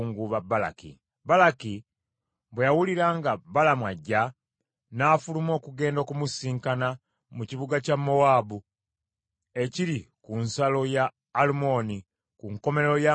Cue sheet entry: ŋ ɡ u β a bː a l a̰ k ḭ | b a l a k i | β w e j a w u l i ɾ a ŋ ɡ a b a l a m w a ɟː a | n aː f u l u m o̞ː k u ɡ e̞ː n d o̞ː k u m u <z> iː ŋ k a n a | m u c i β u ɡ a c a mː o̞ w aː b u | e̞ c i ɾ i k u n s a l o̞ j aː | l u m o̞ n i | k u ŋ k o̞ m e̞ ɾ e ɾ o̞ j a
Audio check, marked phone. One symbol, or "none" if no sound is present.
s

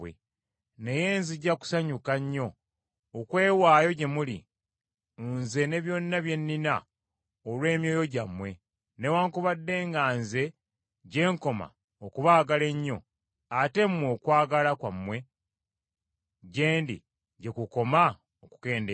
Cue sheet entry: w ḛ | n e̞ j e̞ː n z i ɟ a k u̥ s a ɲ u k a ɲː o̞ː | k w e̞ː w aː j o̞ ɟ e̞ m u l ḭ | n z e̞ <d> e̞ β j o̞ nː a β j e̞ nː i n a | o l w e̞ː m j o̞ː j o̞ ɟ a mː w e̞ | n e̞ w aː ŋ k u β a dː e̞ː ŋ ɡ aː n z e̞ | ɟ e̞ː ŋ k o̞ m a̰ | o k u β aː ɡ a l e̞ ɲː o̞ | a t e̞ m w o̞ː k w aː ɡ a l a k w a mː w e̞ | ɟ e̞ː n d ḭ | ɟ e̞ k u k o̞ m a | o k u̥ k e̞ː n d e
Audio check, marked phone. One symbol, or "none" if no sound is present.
n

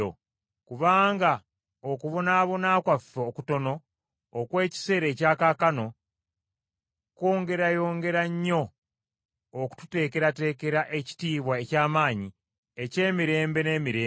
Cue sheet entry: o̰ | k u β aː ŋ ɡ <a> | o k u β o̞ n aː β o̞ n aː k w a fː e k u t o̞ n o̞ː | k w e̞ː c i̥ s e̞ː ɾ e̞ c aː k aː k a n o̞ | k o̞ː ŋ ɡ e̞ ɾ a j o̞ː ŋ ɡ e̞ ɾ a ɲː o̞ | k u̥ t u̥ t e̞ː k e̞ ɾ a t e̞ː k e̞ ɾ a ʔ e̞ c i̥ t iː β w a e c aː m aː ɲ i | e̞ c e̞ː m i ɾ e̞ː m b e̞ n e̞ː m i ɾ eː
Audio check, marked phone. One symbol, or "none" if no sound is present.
a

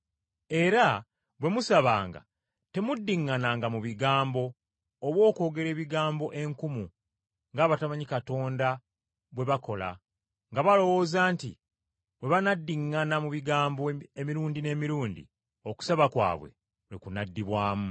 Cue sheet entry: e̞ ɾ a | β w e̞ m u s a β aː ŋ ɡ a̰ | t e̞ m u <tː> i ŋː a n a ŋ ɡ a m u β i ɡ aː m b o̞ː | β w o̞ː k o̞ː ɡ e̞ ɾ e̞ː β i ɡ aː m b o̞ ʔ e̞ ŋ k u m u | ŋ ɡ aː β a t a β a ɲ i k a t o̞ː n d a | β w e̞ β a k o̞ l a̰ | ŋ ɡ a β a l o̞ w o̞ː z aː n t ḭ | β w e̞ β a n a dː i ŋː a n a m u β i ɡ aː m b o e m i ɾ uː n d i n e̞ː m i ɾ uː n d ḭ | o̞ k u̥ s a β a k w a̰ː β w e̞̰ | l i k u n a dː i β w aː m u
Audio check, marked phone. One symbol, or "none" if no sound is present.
dː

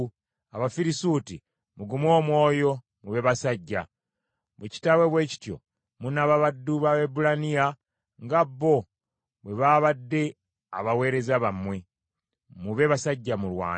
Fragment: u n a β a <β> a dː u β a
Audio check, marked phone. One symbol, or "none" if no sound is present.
β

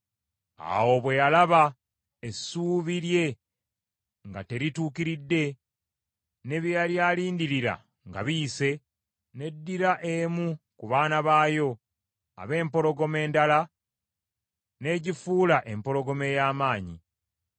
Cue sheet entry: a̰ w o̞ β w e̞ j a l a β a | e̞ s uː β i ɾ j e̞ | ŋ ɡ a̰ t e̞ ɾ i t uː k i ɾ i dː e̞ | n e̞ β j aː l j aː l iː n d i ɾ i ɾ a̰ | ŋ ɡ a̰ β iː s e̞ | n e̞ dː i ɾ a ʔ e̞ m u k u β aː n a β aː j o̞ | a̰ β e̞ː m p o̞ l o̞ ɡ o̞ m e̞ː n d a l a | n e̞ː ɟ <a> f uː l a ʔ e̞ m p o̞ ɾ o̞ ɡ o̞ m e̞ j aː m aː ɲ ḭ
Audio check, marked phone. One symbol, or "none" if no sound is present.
i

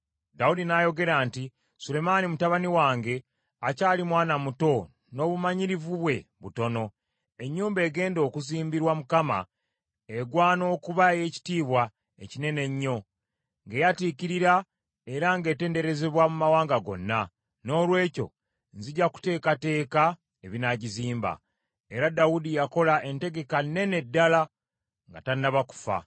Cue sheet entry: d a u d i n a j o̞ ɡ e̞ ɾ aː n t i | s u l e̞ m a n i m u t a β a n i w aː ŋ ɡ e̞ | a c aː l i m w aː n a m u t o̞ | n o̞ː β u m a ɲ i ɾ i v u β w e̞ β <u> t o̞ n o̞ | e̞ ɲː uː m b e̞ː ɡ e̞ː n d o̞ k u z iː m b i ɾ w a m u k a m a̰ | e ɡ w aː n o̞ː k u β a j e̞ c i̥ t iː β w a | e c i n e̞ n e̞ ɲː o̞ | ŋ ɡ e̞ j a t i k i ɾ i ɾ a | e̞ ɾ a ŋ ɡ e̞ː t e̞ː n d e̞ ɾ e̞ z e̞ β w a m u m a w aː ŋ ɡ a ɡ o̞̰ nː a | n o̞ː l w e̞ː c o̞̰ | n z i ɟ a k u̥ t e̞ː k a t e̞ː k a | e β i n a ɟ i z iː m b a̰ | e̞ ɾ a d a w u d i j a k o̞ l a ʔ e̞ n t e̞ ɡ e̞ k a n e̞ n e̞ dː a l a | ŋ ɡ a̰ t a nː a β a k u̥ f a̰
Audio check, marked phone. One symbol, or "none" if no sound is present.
u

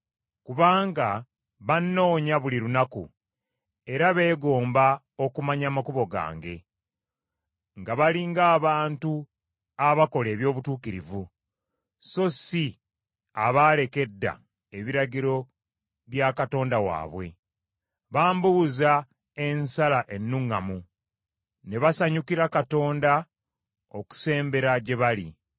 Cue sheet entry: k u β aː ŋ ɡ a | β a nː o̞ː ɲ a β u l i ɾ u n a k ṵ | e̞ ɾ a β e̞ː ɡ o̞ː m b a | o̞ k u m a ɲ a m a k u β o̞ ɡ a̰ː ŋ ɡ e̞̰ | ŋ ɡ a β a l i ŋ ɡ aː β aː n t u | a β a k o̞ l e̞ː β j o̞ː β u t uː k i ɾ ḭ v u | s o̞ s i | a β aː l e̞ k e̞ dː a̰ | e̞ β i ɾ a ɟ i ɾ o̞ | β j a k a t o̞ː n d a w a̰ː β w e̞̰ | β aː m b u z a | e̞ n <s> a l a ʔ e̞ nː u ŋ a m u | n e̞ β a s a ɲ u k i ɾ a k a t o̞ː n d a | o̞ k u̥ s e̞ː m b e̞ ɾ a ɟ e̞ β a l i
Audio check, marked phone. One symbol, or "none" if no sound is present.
s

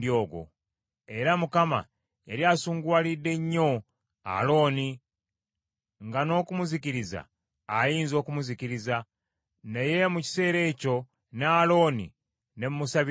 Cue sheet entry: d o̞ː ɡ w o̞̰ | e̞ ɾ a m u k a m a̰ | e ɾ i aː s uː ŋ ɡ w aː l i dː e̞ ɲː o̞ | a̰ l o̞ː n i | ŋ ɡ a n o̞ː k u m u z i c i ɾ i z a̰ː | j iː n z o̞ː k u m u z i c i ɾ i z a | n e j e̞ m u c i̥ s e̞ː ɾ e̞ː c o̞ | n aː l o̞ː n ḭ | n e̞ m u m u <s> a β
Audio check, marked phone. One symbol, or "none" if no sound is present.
s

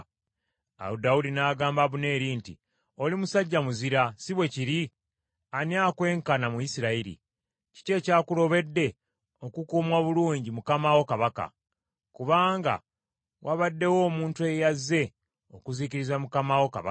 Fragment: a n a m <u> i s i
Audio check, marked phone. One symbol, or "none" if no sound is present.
u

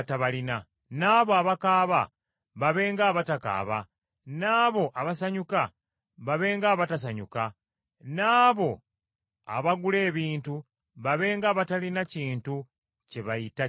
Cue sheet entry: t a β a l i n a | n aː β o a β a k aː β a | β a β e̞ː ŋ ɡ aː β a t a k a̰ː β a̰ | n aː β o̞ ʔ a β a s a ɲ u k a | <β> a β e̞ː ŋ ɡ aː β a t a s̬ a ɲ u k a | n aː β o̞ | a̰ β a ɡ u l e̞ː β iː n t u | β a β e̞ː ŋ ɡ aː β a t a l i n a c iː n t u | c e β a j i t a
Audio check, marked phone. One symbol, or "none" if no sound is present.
β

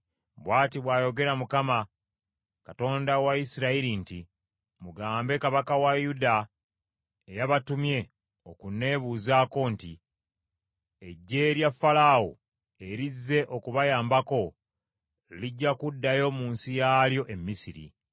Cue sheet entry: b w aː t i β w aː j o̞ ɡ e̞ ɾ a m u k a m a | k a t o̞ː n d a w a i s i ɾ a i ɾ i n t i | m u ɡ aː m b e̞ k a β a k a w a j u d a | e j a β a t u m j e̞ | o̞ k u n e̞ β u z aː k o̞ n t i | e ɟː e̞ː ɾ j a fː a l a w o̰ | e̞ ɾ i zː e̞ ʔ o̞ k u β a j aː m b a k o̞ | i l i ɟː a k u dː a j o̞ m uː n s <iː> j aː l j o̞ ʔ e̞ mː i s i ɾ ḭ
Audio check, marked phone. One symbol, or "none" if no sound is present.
i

